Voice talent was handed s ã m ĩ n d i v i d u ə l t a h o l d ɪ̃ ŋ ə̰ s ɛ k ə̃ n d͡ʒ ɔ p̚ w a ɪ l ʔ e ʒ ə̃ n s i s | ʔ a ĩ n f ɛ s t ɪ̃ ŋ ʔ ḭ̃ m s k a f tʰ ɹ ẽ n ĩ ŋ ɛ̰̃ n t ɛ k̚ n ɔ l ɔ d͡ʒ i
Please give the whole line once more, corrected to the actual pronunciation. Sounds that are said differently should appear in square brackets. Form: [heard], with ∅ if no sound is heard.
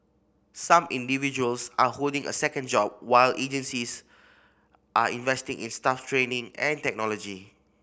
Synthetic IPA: s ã m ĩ n d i v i [d͡ʒ] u ə l [s] a h o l d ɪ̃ ŋ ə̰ s ɛ k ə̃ n d͡ʒ ɔ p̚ w a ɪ l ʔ e [d͡ʒ] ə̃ n s i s | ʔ a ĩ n [v] ɛ s t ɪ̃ ŋ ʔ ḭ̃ [n] s [t] a f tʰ ɹ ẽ n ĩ ŋ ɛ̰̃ n t ɛ k̚ n ɔ l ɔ d͡ʒ i